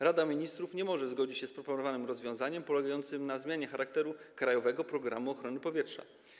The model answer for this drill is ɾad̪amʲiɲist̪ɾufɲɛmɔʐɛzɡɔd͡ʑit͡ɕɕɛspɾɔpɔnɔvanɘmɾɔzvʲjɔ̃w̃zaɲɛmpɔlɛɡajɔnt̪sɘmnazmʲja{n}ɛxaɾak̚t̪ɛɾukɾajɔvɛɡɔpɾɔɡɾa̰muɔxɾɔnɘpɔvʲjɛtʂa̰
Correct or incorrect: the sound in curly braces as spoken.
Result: incorrect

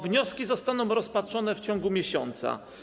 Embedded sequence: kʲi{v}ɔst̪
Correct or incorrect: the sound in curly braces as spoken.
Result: incorrect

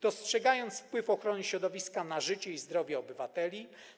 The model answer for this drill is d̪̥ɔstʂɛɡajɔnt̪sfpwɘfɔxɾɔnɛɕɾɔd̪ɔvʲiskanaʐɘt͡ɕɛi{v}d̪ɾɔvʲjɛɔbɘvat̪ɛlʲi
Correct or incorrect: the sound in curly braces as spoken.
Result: incorrect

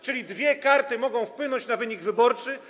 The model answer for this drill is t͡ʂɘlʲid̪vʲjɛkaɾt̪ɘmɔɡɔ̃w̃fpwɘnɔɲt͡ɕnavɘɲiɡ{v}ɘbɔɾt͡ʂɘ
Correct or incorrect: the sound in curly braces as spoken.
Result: correct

